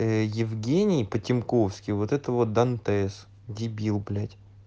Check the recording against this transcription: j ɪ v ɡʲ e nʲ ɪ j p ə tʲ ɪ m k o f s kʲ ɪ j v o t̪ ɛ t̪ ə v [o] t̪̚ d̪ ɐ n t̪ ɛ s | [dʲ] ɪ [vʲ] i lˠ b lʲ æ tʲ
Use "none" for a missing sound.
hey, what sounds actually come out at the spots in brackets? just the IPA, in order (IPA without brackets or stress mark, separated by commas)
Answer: o, dʲ, bʲ